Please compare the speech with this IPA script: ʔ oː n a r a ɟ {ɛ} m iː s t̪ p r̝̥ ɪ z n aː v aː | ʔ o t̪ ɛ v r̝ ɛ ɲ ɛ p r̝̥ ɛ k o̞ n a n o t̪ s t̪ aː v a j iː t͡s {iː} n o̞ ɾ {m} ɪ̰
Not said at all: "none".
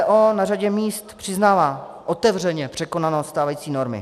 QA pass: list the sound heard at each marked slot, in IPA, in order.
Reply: ɛ, iː, m

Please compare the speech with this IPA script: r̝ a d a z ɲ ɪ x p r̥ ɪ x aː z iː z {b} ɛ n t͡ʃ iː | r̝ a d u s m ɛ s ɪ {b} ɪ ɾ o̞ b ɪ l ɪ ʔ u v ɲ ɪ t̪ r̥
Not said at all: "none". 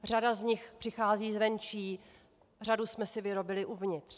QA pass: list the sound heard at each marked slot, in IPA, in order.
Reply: v, v

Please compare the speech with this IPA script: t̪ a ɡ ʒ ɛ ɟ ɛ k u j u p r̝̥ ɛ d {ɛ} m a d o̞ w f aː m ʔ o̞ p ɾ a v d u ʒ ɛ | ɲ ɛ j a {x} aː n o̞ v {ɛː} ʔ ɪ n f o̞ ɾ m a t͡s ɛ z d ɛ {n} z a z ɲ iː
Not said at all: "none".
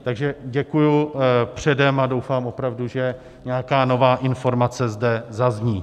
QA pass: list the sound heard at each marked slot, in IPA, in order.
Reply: ɛ, k, aː, none

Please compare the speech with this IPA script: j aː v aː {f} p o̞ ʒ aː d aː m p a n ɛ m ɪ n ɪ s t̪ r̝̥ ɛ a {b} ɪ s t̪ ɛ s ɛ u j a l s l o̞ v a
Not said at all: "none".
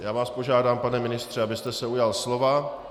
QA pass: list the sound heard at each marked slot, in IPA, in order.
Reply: s, b

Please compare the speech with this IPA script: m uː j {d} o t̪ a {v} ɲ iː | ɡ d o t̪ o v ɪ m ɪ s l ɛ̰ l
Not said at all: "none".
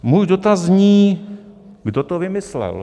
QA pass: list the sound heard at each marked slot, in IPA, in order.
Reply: d, z

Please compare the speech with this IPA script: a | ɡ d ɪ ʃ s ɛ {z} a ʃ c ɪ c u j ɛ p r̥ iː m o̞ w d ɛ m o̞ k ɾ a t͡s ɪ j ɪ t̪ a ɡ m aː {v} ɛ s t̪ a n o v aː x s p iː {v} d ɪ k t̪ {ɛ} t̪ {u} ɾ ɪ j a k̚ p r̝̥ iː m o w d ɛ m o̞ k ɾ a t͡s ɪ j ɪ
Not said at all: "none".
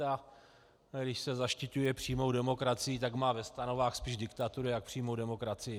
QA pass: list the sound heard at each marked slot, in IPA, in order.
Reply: z, v, ʒ, a, u

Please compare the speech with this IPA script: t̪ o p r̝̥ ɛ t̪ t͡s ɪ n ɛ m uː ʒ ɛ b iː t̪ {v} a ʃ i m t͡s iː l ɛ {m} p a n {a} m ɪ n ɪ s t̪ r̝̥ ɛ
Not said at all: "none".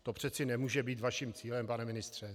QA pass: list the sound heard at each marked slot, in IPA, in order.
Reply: v, m, ɛ

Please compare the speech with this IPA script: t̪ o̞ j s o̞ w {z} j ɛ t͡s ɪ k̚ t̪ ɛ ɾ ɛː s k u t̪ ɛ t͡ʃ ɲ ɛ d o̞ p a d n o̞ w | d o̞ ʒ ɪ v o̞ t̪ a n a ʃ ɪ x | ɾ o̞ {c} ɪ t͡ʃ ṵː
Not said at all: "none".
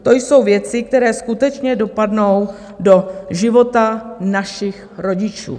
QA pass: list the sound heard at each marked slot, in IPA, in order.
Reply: v, ɟ

